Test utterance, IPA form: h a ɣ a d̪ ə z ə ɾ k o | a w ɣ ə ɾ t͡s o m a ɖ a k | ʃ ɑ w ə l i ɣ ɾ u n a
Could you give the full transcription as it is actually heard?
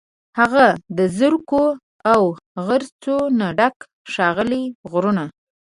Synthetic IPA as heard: h a ɣ a d̪ ə z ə ɾ k o | a w ɣ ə ɾ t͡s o n a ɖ a k | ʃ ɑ ɣ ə l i ɣ ɾ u n a